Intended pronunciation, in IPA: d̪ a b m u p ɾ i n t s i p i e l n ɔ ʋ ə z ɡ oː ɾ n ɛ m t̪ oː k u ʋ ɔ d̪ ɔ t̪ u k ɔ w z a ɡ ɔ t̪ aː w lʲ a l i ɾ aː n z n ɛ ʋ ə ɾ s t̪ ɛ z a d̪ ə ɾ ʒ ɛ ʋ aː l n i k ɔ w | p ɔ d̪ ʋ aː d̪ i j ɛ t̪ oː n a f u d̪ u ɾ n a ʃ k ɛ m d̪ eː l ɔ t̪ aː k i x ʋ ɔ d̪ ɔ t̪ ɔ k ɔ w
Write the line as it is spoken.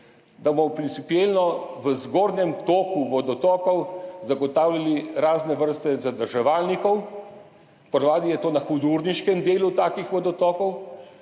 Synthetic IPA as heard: d̪ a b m ɔ p ɾ i n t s i p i e l n ɔ ʋ ə z ɡ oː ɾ n ɛ m t̪ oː k u ʋ ɔ d̪ ɔ t̪ ɔ k ɔ w z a ɡ ɔ t̪ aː w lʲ a l i ɾ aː z n ɛ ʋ ə ɾ s t̪ ɛ z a d̪ ə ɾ ʒ ɛ ʋ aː l n i k ɔ w | p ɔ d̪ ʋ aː d̪ i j ɛ t̪ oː n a x u d̪ u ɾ n i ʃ k ɛ m d̪ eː l u t̪ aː k i x ʋ ɔ d̪ ɔ t̪ ɔ k ɔ w

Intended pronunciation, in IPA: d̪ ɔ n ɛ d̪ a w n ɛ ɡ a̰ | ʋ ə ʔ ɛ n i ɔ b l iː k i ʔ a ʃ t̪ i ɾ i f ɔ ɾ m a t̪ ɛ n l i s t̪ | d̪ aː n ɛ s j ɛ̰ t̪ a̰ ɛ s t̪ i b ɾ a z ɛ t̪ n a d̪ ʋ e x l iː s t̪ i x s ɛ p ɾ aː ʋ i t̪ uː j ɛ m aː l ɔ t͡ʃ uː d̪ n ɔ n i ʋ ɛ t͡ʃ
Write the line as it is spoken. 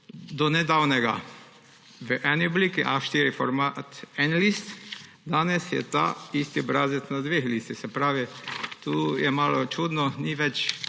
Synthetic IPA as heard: d̪ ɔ n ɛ d̪ a w n ɛ ɡ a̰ | ʋ ə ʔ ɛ n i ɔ b l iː k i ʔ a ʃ t̪ i ɾ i f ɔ ɾ m a t̪ ɛ n l i s t̪ | d̪ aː n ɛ s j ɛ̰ t̪ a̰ i s t̪ i b ɾ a z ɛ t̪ n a d̪ ʋ e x l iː s t̪ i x s ɛ p ɾ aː ʋ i t̪ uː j ɛ m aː l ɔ t͡ʃ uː d̪ n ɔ n i ʋ ɛ t͡ʃ

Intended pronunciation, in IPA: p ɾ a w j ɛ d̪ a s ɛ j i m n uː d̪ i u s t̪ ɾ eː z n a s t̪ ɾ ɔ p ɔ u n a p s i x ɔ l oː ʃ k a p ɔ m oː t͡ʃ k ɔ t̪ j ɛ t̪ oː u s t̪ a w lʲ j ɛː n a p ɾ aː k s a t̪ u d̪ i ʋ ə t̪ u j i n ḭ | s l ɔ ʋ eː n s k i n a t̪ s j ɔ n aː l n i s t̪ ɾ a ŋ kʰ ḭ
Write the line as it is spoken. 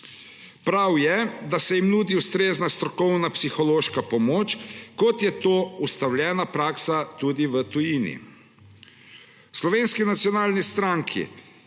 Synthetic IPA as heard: p ɾ a w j ɛ d̪ a s ɛ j i m n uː d̪ i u s t̪ ɾ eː z n a s t̪ ɾ ɔ k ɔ w n a p s i x ɔ l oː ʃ k a p ɔ m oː t͡ʃ k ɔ t̪ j ɛ t̪ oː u s t̪ a w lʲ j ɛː n a p ɾ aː k s a t̪ u d̪ i ʋ ə t̪ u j i n ḭ | s l ɔ ʋ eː n s k i n a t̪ s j ɔ n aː l n i s t̪ ɾ a ŋ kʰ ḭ

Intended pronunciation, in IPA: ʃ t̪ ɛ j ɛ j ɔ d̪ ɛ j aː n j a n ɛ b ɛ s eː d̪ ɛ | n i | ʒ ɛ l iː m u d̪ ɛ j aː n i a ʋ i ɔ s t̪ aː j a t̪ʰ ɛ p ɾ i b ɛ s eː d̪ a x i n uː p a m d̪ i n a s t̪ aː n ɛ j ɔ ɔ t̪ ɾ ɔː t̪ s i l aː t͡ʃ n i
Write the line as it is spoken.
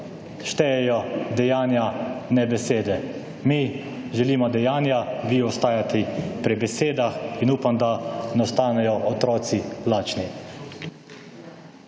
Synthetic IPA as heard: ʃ t̪ ɛ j ɛ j ɔ d̪ ɛ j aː n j a n ɛ b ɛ s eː d̪ ɛ | m i | ʒ ɛ l iː m ɔ d̪ ɛ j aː n j a ʋ i ɔ s t̪ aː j a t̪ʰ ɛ p ɾ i b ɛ s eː d̪ a x i n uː p a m d̪ a n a s t̪ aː n ɛ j ɔ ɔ t̪ ɾ ɔː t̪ s i l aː t͡ʃ n i

